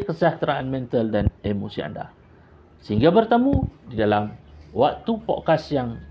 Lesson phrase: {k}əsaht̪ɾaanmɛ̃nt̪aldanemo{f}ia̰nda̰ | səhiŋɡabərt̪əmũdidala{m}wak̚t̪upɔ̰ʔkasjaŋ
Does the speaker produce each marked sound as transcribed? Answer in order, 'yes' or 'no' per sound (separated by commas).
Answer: yes, no, yes